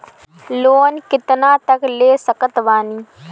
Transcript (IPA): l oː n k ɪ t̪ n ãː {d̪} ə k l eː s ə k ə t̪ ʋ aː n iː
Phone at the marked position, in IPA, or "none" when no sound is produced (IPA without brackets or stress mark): t̪